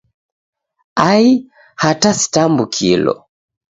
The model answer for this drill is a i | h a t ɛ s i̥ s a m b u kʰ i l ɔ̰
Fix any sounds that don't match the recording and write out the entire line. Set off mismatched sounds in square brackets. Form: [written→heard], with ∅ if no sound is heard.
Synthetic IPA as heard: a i | h a t [ɛ→a] s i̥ [s→t] a m b u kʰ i l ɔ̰